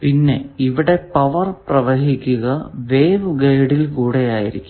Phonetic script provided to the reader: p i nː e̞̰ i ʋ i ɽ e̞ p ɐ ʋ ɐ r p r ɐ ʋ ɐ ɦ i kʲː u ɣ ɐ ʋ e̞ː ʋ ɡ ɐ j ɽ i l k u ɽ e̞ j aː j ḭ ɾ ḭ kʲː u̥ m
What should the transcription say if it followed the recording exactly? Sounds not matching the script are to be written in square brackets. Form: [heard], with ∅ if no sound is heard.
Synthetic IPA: p i nː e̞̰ i ʋ i ɽ e̞ p ɐ ʋ ɐ r p r ɐ ʋ ɐ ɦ i kʲː u ɣ ɐ ʋ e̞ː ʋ ɡ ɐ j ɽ i l k [uː] ɽ e̞ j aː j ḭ ɾ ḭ kʲː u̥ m